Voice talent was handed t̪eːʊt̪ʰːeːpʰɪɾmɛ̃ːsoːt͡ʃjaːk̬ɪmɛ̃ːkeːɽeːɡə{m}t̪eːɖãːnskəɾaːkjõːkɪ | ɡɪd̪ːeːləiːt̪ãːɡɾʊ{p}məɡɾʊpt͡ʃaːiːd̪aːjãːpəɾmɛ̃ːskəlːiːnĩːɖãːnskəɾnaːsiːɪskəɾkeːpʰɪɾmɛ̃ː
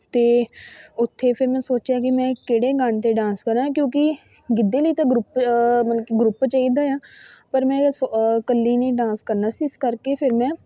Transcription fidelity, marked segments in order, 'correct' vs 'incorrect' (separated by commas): incorrect, correct